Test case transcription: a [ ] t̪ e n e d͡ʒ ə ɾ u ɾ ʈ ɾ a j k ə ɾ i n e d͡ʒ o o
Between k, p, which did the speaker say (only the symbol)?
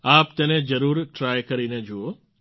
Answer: p